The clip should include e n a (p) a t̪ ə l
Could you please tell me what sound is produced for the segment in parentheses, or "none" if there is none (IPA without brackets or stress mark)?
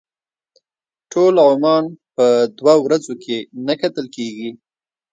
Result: k